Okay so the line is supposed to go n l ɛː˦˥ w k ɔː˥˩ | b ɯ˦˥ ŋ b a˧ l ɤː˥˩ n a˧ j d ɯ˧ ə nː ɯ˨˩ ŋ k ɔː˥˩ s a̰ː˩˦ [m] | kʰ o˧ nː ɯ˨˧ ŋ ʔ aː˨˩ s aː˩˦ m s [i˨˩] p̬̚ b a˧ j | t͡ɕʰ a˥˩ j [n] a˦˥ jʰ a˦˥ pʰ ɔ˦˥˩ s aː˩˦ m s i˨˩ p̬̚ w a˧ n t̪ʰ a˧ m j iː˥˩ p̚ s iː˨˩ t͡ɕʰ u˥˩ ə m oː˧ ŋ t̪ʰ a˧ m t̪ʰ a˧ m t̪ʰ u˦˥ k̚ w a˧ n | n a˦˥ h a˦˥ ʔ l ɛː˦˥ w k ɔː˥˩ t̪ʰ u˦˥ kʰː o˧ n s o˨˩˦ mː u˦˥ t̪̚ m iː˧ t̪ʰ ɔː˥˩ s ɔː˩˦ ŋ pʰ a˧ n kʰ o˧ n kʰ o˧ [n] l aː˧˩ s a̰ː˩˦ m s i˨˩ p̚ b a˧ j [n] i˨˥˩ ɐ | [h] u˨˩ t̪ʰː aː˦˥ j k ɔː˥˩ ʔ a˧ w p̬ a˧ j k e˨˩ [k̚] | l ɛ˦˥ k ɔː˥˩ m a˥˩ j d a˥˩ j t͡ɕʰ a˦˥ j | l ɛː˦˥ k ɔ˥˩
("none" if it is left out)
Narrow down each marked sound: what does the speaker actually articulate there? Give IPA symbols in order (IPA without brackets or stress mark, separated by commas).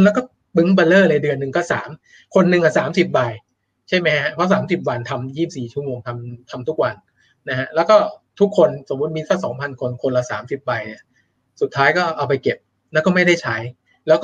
m, i˨˩, m, n, n, s, p̚